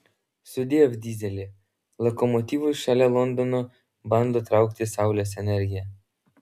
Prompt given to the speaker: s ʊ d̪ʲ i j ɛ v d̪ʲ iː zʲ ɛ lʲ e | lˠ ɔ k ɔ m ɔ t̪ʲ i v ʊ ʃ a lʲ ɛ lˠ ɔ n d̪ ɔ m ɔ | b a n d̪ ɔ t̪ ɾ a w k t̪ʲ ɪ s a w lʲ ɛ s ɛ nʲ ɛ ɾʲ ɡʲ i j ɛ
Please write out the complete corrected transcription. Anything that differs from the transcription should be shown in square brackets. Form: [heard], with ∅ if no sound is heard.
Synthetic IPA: s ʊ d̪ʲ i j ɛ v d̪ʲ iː zʲ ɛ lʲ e | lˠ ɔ k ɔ m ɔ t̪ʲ i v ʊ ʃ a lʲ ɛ lˠ ɔ n d̪ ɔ [n] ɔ | b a n d̪ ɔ t̪ ɾ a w k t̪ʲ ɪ s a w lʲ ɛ s ɛ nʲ ɛ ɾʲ ɡʲ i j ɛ

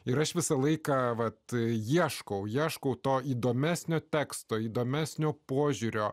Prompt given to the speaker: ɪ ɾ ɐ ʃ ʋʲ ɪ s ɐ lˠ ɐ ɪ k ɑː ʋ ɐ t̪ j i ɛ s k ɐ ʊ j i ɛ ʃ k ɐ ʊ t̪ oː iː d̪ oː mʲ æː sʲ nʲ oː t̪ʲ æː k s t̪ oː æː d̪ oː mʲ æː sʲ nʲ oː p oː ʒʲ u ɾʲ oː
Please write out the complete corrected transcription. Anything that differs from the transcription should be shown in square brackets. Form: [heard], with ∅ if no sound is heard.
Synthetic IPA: ɪ ɾ ɐ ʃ ʋʲ ɪ s ɐ lˠ ɐ ɪ k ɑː ʋ ɐ t̪ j i ɛ [ʃ] k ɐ ʊ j i ɛ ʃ k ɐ ʊ t̪ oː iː d̪ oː mʲ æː sʲ nʲ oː t̪ʲ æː k s t̪ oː [iː] d̪ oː mʲ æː sʲ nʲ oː p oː ʒʲ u ɾʲ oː

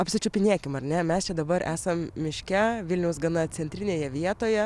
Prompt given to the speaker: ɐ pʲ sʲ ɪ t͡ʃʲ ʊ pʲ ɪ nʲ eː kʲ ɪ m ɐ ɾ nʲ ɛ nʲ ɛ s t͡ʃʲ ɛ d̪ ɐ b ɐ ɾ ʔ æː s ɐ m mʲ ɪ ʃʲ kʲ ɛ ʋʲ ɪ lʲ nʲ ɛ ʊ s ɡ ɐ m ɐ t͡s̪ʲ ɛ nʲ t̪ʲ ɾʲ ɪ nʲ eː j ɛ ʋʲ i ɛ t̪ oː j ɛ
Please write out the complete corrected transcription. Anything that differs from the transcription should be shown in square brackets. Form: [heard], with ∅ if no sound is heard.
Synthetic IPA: ɐ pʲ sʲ ɪ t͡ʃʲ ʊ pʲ ɪ nʲ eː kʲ ɪ m ɐ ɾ nʲ ɛ [mʲ] ɛ s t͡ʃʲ ɛ d̪ ɐ b ɐ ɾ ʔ æː s ɐ m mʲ ɪ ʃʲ kʲ ɛ ʋʲ ɪ lʲ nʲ ɛ ʊ s ɡ ɐ [n] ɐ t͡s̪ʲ ɛ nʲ t̪ʲ ɾʲ ɪ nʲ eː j ɛ ʋʲ i ɛ t̪ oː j ɛ

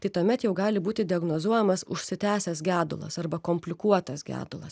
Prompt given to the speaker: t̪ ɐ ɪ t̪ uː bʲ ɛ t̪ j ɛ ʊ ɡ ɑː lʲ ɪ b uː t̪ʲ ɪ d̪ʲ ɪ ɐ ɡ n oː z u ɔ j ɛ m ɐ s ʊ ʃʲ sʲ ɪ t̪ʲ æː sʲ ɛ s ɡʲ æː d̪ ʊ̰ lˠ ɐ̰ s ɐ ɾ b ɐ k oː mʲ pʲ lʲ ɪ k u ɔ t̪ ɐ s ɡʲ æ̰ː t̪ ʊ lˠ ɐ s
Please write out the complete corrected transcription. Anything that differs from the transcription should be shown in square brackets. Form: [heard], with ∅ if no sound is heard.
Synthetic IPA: t̪ ɐ ɪ t̪ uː [mʲ] ɛ t̪ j ɛ ʊ ɡ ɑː lʲ ɪ b uː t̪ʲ ɪ d̪ʲ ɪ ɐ ɡ n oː z u ɔ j ɛ m ɐ s ʊ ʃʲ sʲ ɪ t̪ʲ æː sʲ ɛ s ɡʲ æː d̪ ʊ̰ lˠ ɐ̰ s ɐ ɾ b ɐ k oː mʲ pʲ lʲ ɪ k u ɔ t̪ ɐ s ɡʲ æ̰ː [d̪] ʊ lˠ ɐ s

